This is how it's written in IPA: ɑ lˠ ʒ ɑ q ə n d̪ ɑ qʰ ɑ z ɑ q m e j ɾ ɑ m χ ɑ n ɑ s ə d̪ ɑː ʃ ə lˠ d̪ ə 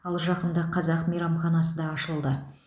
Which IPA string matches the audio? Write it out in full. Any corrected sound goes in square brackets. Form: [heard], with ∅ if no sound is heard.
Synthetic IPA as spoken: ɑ lˠ ʒ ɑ q ə n d̪ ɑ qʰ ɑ z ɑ q m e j ɾ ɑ m χ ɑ n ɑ s ə d̪ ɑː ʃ ə lˠ d̪ ə